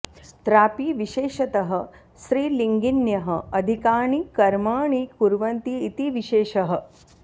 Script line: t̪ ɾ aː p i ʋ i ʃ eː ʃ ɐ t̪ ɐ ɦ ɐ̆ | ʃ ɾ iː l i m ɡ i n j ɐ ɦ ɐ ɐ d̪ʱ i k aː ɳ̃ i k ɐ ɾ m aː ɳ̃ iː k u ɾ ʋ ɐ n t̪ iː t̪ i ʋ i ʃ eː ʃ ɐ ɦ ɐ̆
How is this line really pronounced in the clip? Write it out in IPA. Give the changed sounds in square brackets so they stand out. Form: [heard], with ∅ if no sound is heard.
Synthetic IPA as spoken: t̪ ɾ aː p i ʋ i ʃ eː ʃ ɐ t̪ ɐ ɦ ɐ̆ | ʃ ɾ iː l i [ŋ] ɡ i n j ɐ ɦ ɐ ɐ d̪ʱ i k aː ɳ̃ i k ɐ ɾ m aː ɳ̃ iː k u ɾ ʋ ɐ n t̪ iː t̪ i ʋ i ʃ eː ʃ ɐ ɦ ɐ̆